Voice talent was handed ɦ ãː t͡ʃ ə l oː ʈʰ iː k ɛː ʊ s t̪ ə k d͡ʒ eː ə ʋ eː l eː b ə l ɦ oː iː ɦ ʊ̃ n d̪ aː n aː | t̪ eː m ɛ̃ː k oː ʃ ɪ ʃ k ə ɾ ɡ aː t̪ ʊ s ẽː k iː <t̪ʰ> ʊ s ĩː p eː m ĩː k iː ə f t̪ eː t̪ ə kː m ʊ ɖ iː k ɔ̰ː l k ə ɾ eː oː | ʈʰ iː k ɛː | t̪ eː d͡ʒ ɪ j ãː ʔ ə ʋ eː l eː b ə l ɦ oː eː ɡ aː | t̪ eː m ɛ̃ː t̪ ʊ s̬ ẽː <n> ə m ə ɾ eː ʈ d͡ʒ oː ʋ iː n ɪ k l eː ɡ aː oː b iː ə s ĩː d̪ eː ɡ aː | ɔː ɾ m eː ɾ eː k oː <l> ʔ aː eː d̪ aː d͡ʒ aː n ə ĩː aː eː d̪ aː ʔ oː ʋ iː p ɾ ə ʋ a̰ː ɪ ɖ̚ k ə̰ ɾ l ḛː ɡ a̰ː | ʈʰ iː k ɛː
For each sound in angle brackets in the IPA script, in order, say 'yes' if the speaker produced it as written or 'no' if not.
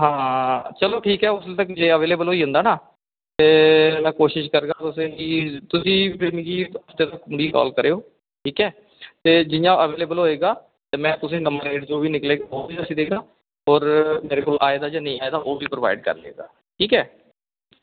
no, yes, yes

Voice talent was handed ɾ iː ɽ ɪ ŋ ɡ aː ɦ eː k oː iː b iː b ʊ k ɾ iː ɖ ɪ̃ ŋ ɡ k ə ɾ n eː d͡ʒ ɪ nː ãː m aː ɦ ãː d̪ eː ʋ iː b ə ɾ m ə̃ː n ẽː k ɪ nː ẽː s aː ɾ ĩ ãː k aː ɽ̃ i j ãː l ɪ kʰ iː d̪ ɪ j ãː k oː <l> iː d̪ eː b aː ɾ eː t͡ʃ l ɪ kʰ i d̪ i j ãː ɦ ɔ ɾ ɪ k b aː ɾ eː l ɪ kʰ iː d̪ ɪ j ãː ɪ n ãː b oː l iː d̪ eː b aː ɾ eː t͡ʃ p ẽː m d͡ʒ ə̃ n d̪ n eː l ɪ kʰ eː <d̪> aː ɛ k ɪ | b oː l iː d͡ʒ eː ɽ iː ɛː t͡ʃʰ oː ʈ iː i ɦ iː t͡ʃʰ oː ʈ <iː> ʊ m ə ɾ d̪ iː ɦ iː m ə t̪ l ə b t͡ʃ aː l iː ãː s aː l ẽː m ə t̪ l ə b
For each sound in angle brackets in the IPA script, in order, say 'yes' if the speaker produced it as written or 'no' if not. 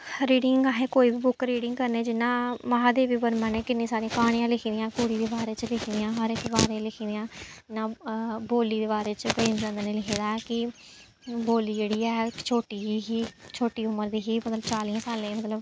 no, yes, yes

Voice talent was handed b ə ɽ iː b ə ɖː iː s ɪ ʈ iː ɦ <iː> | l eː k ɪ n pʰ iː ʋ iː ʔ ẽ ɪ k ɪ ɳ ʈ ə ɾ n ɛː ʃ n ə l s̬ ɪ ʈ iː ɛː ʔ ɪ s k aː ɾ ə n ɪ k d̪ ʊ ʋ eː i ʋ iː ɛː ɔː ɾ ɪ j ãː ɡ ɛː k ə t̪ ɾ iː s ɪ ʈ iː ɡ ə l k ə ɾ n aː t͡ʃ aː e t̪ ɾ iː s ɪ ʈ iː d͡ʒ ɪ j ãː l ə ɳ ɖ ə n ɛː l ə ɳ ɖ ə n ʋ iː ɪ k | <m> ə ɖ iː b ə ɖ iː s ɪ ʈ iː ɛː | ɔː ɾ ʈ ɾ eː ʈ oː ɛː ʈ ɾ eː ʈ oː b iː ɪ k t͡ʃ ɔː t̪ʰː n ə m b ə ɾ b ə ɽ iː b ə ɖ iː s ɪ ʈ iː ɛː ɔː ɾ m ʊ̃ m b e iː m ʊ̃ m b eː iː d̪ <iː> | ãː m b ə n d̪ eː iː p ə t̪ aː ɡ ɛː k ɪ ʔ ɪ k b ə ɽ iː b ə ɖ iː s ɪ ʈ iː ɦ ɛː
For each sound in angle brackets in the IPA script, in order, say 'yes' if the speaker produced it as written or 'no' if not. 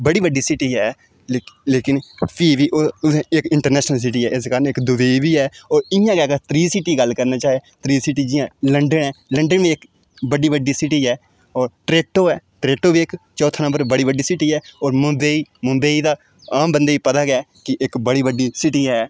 no, no, no

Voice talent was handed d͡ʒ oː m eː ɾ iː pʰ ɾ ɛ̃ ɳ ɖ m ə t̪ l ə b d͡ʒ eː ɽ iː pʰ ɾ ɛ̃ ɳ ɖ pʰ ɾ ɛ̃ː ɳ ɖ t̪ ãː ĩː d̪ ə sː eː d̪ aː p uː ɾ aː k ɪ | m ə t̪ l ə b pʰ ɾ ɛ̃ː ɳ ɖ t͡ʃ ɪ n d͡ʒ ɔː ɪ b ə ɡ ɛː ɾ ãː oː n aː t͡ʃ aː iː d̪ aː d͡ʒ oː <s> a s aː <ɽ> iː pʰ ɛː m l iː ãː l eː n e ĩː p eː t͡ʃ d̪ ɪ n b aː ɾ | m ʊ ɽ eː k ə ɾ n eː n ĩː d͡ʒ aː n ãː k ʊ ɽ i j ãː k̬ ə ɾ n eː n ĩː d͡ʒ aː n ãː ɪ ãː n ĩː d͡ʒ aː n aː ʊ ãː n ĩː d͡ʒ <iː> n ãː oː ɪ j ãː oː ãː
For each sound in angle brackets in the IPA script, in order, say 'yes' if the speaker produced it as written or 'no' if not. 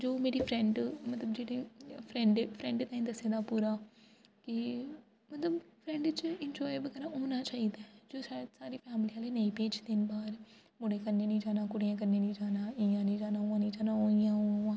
yes, no, no

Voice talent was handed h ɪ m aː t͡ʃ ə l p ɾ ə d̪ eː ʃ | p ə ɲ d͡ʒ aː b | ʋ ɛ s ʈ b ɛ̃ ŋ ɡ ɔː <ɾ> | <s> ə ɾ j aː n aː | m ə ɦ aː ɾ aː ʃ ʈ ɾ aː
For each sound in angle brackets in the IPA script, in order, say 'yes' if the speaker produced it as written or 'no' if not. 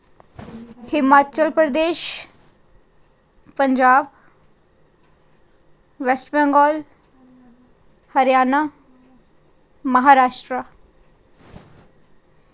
no, no

